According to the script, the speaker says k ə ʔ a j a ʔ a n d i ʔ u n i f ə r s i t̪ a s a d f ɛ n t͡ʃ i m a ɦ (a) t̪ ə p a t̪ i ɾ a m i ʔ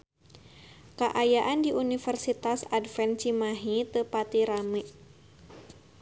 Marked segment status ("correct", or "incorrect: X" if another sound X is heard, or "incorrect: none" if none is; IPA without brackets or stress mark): incorrect: i